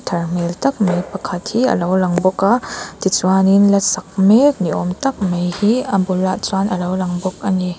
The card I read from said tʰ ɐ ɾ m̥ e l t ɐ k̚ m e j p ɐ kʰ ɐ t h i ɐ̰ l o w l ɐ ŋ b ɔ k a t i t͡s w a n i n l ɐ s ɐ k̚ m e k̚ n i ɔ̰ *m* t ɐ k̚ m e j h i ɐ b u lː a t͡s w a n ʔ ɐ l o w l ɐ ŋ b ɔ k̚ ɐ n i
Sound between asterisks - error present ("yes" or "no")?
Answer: no